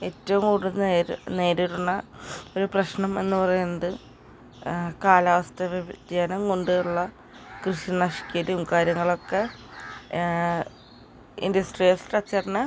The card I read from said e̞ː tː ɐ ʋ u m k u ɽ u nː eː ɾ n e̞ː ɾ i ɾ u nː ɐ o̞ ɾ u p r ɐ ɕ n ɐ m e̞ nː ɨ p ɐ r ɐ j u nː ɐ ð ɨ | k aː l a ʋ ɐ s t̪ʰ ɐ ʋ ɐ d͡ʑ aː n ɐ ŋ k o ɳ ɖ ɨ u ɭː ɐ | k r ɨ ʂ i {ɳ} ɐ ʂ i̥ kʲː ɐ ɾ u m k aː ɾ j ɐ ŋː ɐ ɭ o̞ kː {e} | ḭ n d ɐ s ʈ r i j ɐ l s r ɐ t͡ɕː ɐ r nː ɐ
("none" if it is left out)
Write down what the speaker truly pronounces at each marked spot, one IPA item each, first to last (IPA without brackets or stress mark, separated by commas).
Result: n, e